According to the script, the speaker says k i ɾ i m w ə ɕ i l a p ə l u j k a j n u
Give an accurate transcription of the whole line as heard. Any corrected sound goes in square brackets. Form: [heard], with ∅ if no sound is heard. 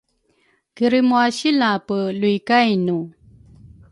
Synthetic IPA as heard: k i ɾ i m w [a] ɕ i l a p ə l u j k a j n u

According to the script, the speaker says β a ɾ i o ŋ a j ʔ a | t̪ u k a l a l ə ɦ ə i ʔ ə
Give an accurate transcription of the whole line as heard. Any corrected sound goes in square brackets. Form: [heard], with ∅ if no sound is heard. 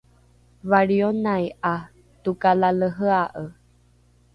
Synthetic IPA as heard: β a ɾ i o [n] a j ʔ a | t̪ u k a l a l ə ɦ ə [a] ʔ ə

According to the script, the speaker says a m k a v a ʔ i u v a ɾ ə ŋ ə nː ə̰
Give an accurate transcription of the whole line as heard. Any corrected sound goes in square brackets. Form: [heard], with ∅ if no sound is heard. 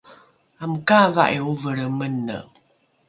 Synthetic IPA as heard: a m k a v a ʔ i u v [ə] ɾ ə [m] ə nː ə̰

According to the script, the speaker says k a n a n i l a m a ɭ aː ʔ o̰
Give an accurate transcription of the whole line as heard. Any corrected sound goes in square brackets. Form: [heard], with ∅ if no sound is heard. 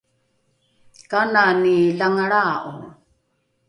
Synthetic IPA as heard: k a n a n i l a [ŋ] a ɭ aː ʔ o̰

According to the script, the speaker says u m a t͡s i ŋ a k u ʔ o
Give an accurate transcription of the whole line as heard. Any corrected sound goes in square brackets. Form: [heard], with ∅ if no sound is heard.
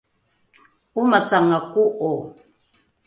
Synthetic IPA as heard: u m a t͡s [a] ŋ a k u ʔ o

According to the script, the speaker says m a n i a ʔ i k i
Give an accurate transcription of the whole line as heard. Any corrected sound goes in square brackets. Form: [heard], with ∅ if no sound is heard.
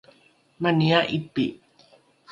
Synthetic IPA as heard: m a n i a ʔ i [p] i

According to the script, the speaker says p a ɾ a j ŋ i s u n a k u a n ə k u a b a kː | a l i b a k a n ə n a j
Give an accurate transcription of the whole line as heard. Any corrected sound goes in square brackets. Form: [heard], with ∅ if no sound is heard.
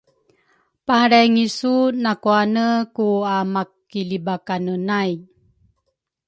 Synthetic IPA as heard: p a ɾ a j ŋ i s u n a k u a n ə k u a [m] a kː | [i] l i b a k a n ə n a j

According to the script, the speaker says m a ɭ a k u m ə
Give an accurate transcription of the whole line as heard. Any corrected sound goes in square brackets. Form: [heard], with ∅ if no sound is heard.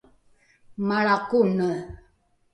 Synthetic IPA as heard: m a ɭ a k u [n] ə

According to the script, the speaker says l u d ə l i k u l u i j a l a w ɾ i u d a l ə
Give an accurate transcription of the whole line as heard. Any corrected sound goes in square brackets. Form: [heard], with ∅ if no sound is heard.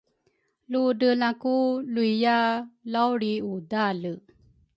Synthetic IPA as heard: l u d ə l [a] k u l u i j a l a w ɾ i u d a l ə

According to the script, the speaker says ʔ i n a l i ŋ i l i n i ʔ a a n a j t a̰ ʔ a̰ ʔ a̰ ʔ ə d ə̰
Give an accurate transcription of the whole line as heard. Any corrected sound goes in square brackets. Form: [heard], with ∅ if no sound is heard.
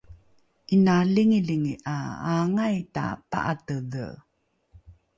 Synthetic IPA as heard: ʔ i n a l i ŋ i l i [ŋ] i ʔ a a [ŋ] a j t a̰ [p] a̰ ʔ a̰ [t] ə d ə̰

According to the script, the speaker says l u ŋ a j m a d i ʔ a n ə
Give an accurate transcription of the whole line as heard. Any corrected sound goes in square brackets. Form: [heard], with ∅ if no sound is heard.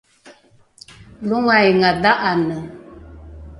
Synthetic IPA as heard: l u ŋ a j [ŋ] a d [a] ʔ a n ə

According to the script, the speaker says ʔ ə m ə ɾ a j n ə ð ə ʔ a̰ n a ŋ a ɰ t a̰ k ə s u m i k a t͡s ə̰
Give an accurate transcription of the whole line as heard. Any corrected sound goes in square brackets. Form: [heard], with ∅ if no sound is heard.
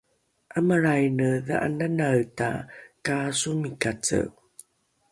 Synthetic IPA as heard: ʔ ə m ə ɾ a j n ə ð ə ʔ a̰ n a [n] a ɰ t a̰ k [a] s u m i k a t͡s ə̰

